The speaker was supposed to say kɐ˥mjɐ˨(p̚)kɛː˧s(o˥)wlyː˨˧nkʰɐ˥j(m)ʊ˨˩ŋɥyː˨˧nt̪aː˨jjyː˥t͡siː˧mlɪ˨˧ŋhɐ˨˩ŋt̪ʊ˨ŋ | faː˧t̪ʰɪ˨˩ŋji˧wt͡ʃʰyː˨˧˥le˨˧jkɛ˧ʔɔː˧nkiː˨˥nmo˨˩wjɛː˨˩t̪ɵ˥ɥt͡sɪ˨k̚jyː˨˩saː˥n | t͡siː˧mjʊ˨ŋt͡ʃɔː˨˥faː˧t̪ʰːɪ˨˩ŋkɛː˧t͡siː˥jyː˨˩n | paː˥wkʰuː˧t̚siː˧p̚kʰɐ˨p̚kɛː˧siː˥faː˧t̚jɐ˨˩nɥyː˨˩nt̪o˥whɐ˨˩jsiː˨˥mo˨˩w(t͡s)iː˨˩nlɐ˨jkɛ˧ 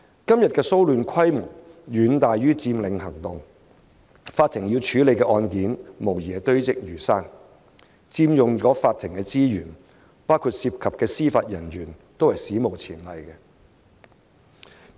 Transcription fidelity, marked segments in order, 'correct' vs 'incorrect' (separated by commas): incorrect, correct, correct, incorrect